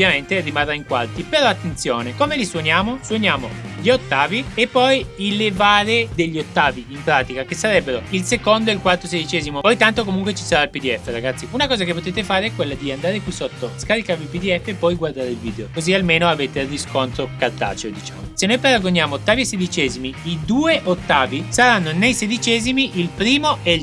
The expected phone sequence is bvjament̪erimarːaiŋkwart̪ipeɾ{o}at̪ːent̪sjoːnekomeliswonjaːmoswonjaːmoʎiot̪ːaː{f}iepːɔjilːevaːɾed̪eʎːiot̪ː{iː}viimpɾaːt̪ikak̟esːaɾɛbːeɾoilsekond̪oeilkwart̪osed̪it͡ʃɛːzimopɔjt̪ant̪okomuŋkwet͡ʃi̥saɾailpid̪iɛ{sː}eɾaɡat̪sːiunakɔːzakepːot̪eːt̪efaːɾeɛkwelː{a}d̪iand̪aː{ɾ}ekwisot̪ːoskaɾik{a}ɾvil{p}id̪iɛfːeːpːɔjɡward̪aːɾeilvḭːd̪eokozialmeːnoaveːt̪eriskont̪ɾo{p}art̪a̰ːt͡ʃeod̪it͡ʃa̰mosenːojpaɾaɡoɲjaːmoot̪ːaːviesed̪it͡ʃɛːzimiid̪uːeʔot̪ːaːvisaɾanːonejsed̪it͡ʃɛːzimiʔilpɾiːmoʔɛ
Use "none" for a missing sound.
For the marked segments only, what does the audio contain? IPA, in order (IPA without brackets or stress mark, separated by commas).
ɔ, v, aː, fː, a, ɾ, a, p, k